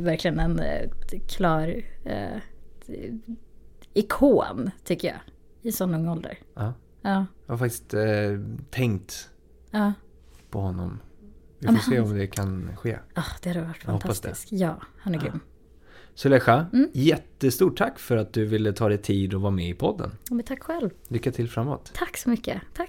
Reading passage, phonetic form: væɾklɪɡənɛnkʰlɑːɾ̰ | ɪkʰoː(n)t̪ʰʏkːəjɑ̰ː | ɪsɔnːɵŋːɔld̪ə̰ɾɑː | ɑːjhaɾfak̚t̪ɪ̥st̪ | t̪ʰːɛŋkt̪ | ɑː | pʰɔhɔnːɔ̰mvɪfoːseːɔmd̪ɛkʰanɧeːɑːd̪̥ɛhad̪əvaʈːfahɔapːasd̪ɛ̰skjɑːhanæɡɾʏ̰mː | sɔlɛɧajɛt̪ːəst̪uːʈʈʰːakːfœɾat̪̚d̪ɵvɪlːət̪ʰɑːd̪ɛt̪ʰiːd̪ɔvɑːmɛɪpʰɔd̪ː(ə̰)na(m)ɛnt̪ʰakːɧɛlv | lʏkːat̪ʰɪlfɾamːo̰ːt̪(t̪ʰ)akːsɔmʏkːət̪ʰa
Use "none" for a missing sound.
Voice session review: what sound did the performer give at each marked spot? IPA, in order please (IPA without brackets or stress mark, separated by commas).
n, ə̰, m, t̪ʰ